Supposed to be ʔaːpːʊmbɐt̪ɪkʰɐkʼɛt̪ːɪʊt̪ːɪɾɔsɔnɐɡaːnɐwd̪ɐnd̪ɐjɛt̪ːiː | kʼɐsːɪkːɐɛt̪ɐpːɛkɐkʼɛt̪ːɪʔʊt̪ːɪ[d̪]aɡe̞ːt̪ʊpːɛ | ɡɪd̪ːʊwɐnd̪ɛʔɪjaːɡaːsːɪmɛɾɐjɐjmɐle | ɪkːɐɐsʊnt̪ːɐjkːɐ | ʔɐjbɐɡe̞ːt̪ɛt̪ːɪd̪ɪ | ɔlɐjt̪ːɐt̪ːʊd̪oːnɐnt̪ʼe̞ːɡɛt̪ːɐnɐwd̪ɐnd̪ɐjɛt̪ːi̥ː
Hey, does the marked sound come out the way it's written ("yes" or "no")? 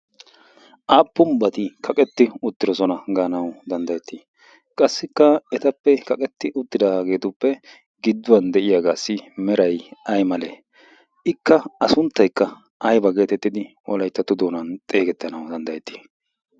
yes